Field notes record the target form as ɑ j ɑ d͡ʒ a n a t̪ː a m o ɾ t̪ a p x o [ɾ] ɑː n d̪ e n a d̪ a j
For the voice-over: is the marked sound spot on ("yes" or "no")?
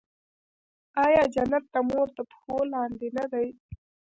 no